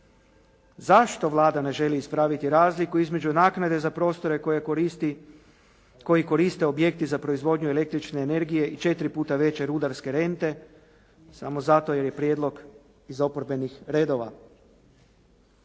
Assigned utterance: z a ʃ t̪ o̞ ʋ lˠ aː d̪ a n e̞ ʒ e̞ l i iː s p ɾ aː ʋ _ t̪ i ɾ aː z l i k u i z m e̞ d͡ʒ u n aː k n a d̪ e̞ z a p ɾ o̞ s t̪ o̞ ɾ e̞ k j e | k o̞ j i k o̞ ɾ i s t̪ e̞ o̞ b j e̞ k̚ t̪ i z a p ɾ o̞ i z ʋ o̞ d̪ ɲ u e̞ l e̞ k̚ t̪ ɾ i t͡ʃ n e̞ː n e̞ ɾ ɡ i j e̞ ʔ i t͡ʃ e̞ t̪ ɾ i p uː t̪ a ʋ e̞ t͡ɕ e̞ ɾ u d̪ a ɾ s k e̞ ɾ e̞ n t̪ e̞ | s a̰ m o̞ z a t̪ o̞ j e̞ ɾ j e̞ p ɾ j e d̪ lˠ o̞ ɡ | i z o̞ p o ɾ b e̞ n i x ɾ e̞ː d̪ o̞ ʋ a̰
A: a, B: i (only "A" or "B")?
B